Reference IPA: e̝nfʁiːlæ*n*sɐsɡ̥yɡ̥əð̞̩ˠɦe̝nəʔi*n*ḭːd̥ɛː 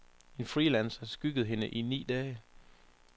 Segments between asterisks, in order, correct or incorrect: correct, correct

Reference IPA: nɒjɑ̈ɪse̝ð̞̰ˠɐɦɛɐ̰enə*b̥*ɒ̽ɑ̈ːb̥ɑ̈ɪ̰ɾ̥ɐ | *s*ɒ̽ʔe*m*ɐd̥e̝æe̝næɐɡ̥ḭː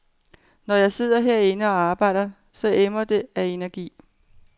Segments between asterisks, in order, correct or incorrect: incorrect: none, correct, correct

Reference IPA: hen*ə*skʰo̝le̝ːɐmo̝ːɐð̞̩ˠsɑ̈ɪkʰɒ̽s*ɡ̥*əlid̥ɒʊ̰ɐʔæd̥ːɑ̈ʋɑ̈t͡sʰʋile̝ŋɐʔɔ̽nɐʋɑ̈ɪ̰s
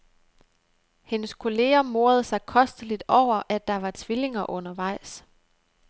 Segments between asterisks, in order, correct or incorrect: correct, incorrect: d̥

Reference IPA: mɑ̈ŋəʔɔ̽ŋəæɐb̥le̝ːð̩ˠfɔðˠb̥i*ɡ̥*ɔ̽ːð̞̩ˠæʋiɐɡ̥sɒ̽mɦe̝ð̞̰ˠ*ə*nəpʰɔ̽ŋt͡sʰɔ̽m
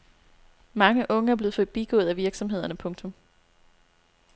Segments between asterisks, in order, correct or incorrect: correct, incorrect: ɐ

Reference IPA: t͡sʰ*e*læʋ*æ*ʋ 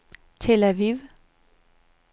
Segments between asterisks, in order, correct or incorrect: correct, incorrect: i

